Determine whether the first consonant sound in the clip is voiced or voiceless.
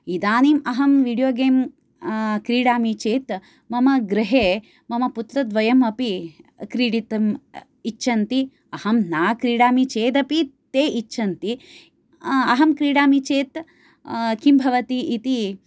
voiced